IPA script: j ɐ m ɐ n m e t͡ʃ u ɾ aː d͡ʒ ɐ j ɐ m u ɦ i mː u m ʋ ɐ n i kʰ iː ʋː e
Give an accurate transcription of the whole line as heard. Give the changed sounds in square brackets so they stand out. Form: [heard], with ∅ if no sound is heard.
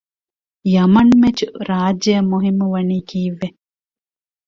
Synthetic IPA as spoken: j ɐ m ɐ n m e t͡ʃ u ɾ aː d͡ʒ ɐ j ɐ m u ɦ i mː u [∅] ʋ ɐ n [iː] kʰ iː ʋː e

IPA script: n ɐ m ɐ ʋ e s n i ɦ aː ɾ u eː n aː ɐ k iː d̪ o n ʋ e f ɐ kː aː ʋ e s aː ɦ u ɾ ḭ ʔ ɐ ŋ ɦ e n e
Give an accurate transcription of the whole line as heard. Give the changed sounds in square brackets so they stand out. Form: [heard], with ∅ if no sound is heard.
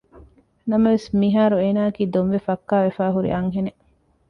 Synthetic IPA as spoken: n ɐ m ɐ ʋ e s [m] i ɦ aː ɾ u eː n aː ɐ k iː d̪ o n ʋ e f ɐ kː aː ʋ e [f] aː ɦ u ɾ ḭ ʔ ɐ ŋ ɦ e n e

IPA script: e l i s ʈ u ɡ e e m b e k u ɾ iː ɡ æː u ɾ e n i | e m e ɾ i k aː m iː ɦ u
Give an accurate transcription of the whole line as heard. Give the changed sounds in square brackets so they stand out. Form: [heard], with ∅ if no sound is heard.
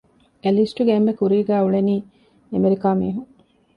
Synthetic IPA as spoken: e l i s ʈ u ɡ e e m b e k u ɾ iː ɡ æː u [ɭ] e n [iː] | e m e ɾ i k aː m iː ɦ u

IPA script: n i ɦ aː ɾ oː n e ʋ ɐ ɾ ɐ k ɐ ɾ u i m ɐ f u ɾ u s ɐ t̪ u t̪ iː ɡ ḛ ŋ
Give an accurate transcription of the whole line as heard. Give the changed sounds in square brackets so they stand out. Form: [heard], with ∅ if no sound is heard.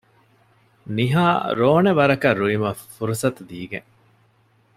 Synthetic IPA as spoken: n i ɦ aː ɾ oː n e ʋ ɐ ɾ ɐ k ɐ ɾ u i m ɐ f u ɾ u s ɐ t̪ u [d̪] iː ɡ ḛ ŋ

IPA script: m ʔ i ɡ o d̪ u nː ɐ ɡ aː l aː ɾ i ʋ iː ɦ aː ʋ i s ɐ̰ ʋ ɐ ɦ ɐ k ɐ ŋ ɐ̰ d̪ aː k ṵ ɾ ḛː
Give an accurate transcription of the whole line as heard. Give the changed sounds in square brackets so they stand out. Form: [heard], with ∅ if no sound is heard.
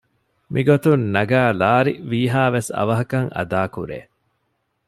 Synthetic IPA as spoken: m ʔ i ɡ o [t̪] u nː ɐ ɡ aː l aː ɾ i ʋ iː ɦ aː ʋ [e] s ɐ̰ ʋ ɐ ɦ ɐ k ɐ ŋ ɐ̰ d̪ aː k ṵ ɾ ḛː

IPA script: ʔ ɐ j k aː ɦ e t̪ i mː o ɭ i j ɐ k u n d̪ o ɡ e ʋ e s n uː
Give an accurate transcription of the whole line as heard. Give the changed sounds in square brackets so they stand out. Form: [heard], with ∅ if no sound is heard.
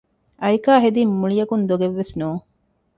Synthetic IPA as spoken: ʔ ɐ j k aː ɦ e [d̪] i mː [u] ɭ i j ɐ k u n d̪ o ɡ e [ʋː] e s n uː

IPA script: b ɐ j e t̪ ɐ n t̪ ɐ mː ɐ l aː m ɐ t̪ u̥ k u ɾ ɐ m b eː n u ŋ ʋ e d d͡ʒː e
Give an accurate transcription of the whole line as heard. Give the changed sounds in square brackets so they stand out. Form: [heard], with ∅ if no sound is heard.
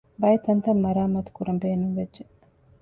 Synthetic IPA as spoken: b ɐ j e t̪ ɐ n t̪ ɐ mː ɐ [ɾ] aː m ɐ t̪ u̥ k u ɾ ɐ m b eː n u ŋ ʋ e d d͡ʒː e

